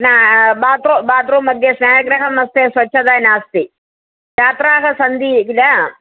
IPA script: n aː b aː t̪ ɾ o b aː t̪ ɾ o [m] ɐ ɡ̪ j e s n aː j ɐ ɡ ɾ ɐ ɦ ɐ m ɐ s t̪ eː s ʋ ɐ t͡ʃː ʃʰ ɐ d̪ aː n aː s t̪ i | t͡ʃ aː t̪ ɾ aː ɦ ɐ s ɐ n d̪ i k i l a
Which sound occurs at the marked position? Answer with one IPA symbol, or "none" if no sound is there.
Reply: m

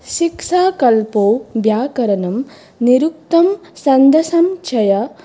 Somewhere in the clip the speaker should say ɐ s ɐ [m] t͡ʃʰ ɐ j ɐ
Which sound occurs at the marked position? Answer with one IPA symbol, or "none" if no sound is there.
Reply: m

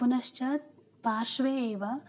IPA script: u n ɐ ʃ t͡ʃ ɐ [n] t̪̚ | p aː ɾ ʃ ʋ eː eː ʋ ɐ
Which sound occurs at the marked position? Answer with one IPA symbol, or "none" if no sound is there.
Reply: none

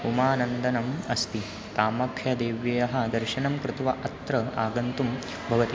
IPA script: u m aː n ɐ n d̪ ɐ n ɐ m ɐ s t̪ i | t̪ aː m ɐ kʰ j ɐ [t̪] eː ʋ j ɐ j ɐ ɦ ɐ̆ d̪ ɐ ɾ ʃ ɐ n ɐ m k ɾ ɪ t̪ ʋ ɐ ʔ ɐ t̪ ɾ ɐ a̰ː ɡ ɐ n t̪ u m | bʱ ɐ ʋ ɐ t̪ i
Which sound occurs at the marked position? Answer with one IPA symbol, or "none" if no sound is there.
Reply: d̪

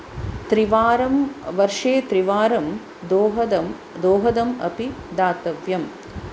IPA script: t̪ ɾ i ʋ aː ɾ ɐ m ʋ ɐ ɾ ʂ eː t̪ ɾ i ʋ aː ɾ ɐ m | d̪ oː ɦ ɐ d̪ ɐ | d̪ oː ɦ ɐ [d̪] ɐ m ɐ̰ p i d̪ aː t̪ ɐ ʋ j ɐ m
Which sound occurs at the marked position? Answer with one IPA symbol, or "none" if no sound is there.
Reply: d̪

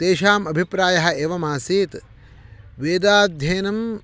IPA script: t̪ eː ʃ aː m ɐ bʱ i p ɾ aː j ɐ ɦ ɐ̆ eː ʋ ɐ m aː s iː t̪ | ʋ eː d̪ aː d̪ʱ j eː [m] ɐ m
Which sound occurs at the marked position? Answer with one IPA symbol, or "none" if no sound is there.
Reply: n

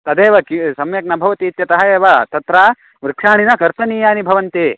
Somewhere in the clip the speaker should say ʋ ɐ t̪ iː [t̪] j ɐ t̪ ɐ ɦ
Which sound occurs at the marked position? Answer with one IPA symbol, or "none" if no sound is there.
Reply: t̪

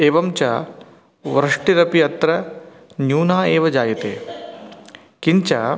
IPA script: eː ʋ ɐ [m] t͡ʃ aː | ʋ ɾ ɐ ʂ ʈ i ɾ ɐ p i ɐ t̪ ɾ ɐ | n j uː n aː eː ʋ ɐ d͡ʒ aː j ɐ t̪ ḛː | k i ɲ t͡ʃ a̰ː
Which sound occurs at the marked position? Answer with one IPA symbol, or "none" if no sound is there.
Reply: m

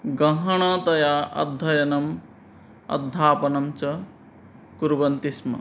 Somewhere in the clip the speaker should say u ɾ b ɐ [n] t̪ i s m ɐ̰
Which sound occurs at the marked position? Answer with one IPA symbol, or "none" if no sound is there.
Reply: n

